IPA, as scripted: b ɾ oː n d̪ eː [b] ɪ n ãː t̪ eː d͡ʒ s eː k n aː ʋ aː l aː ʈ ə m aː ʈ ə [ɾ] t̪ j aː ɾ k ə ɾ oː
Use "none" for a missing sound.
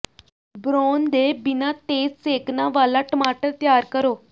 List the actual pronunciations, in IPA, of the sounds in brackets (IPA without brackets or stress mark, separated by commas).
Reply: b, ɾ